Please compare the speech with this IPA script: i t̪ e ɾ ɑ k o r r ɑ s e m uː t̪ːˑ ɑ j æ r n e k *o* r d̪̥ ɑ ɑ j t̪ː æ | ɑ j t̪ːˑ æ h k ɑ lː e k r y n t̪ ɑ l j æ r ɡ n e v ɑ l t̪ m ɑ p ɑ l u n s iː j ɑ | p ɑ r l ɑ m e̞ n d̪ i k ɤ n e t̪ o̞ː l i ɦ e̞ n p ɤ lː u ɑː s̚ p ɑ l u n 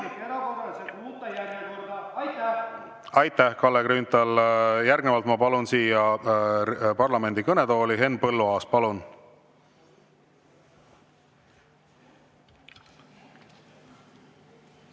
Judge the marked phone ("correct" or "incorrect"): correct